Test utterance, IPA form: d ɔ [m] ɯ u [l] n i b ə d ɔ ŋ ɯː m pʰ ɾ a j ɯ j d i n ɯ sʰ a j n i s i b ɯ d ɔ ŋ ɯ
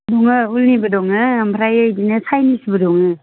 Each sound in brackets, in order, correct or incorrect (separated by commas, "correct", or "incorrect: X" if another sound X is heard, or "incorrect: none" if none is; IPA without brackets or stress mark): incorrect: ŋ, correct